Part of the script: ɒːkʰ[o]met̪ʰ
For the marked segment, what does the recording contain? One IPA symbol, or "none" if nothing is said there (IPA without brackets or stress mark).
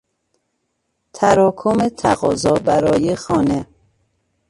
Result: o